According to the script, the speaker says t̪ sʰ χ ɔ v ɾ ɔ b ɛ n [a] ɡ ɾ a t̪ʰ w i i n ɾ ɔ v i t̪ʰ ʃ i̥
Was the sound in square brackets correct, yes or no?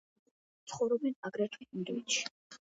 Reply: yes